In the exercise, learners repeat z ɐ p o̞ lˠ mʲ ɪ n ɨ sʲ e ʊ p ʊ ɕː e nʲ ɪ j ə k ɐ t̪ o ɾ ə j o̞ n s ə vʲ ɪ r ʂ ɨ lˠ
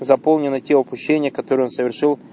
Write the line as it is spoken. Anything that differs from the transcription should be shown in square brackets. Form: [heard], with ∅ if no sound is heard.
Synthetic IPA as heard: z ɐ p o̞ lˠ [nʲ] ɪ n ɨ [tʲ] e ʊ p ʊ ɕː e nʲ ɪ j ə k ɐ t̪ o ɾ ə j o̞ n s ə vʲ ɪ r ʂ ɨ lˠ